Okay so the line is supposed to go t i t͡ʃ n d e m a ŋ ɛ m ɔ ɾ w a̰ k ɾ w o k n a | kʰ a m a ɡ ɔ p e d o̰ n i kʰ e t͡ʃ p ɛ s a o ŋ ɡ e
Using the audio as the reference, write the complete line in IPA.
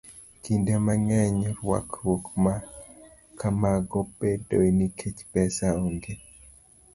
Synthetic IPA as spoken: k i n d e m a ŋ ɛ ɲ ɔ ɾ w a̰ k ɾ w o k m a | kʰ a m a ɡ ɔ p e d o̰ n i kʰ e t͡ʃ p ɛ s a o ŋ ɡ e